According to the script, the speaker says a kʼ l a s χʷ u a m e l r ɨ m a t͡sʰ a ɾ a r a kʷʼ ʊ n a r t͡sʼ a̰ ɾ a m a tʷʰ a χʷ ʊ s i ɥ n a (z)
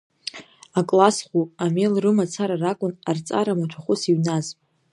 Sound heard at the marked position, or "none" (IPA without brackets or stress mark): z